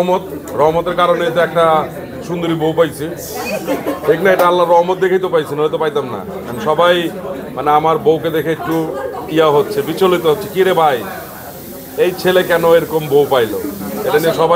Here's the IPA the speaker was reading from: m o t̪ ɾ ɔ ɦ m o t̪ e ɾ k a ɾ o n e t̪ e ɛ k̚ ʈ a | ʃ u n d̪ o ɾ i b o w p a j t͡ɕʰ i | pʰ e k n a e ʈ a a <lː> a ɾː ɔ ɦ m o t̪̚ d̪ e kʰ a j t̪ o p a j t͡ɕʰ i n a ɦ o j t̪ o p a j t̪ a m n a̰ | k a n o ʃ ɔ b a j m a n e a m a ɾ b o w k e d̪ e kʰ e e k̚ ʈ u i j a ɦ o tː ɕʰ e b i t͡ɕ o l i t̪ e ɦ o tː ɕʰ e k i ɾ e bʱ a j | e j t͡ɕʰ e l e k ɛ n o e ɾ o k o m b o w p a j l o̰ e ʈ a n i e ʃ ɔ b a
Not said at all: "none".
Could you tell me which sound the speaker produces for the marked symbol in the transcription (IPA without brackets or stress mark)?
lː